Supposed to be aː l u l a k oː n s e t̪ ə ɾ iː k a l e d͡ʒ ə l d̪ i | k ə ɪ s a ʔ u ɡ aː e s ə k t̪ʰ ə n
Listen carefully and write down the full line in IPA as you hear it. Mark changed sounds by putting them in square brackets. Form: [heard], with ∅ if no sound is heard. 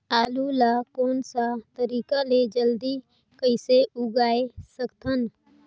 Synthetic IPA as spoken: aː l u l a k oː n s [a] t̪ ə ɾ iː k a l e d͡ʒ ə l d̪ i | k ə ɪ s [e] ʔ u ɡ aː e s ə k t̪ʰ ə n

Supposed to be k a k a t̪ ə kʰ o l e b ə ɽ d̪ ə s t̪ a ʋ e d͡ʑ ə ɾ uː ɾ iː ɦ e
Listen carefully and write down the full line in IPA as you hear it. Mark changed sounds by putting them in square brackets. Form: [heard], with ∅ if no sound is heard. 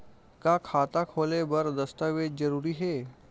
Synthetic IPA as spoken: k a [kʰ] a t̪ [a] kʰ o l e b ə [ɾ] d̪ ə s t̪ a ʋ e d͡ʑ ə ɾ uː ɾ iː ɦ e

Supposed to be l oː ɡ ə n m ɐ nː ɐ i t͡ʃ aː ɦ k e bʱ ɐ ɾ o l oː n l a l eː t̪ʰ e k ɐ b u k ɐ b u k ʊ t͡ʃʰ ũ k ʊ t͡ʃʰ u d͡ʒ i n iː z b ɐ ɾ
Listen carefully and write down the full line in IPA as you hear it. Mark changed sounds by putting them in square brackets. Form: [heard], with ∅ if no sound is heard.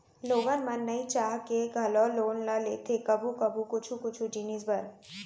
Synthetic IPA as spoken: l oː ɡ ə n m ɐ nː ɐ i t͡ʃ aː ɦ k e [ɡʱ] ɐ [l] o l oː n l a l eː t̪ʰ e k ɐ b u k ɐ b u k ʊ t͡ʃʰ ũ k ʊ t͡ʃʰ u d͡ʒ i n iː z b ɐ ɾ

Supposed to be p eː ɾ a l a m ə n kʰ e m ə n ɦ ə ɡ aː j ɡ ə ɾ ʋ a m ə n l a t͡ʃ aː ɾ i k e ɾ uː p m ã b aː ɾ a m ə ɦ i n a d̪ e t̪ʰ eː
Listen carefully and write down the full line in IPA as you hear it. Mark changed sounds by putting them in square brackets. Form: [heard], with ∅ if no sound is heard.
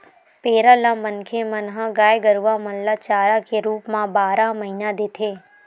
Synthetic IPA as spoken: p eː ɾ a l a m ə n kʰ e m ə n ɦ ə ɡ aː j ɡ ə ɾ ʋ a m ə n l a t͡ʃ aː ɾ [a] k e ɾ uː p m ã b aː ɾ a m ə ɦ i n a d̪ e t̪ʰ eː

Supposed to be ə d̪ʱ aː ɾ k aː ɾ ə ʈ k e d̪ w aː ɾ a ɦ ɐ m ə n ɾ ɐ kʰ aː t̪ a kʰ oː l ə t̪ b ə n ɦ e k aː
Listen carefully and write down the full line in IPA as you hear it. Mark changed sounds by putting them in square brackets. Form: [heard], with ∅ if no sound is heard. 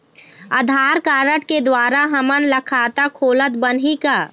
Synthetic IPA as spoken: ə d̪ʱ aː ɾ k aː ɾ ə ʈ k e d̪ w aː ɾ a ɦ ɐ m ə n [l] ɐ kʰ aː t̪ a kʰ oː l ə t̪ b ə n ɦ [i] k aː

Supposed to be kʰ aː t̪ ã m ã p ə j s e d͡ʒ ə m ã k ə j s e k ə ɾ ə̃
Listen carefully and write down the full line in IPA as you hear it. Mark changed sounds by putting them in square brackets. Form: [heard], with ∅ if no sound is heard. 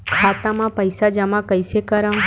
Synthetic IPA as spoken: kʰ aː t̪ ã m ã p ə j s [a] d͡ʒ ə m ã k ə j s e k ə ɾ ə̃

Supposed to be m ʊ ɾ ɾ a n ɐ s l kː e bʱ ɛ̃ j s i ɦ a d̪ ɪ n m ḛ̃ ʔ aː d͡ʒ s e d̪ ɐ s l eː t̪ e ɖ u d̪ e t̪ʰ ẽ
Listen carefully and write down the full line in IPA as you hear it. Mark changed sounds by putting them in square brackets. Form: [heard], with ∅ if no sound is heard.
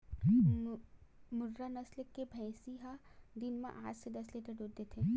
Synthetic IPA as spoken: m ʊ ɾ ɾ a n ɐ s l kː e bʱ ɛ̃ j s i ɦ a d̪ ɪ n m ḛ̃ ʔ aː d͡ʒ s e d̪ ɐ s l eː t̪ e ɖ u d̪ e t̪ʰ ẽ

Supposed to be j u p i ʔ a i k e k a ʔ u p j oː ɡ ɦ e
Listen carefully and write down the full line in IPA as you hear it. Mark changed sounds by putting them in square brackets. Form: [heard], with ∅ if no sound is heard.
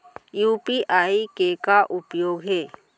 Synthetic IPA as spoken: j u p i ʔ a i k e k a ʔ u p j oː ɡ ɦ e

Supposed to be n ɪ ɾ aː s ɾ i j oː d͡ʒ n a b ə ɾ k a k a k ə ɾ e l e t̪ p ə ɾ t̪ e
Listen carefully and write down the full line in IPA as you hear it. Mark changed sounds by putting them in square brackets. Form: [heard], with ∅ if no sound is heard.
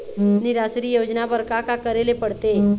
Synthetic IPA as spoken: n ɪ ɾ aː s ɾ i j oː d͡ʒ n a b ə ɾ k a k a k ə ɾ e l e [∅] p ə [ɽ] t̪ e

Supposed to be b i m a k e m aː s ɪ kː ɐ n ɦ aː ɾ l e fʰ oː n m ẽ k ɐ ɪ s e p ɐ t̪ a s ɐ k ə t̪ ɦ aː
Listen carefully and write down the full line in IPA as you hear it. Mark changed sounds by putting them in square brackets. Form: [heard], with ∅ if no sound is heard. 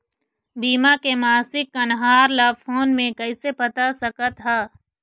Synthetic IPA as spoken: b [iː] m a k e m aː s ɪ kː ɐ n ɦ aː ɾ l [a] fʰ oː n m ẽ k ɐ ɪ s e p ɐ t̪ a s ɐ k ə t̪ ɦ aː

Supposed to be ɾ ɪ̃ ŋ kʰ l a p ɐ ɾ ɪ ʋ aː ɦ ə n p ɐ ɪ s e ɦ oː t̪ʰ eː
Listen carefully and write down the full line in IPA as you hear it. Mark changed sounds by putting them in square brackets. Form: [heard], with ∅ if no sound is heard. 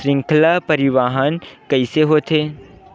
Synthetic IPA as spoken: ɾ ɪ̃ ŋ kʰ l a p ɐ ɾ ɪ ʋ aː ɦ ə n [k] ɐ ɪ s e ɦ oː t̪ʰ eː

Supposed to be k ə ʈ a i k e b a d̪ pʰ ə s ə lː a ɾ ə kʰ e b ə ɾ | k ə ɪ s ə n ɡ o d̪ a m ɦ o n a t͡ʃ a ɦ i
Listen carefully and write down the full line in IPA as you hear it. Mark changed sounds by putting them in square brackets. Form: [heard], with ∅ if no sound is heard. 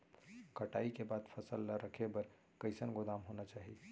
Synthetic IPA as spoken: k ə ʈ a i k e b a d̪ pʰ ə s ə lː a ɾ ə kʰ e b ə ɾ | k ə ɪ s ə n ɡ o d̪ a m ɦ o n a t͡ʃ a ɦ i

